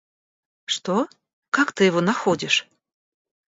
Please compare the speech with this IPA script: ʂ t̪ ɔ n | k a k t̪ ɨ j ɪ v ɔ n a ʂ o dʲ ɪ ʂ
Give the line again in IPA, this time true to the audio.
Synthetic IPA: ʂ t̪ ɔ | k a k t̪ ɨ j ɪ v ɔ n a x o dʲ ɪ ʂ